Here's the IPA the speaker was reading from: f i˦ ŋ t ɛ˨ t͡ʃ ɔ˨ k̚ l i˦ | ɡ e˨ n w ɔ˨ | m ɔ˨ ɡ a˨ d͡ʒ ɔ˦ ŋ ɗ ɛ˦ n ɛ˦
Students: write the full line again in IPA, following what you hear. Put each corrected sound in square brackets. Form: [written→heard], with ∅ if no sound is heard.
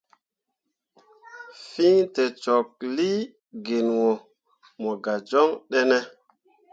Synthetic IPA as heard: f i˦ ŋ t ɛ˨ t͡ʃ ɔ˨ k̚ l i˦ | ɡ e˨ n w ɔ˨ | m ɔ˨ ɡ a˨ d͡ʒ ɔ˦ ŋ ɗ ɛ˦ n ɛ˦